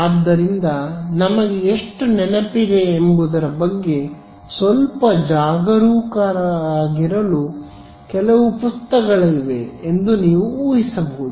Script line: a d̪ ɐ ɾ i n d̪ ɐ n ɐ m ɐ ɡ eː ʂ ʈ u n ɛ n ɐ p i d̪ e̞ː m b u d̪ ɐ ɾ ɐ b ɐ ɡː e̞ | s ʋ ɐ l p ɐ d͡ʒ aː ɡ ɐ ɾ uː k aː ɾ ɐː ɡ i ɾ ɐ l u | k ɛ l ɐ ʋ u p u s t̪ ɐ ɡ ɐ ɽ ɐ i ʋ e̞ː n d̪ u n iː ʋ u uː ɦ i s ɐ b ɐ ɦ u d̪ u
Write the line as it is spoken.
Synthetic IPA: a d̪ː ɐ ɾ i n d̪ ɐ n ɐ m ɐ ɡ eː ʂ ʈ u n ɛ n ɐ p i d̪ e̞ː m b u d̪ ɐ ɾ ɐ b ɐ ɡː e̞ | s ʋ ɐ l p ɐ d͡ʒ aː ɡ ɐ ɾ uː k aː ɾ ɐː ɡ i ɾ ɐ l u | k ɛ l ɐ ʋ u p u s t̪ ɐ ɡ ɐ ɭ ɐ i ʋ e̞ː n d̪ u n iː ʋ u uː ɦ i s ɐ b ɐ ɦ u d̪ u